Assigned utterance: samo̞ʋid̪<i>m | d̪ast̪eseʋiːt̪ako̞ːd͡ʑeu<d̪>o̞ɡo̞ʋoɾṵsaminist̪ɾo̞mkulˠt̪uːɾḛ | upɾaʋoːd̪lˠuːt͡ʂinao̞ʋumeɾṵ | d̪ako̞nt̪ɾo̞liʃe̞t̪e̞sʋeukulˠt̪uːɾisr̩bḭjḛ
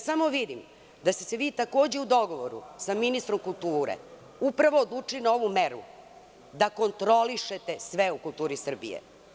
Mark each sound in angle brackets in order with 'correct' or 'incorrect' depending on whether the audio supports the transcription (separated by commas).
correct, correct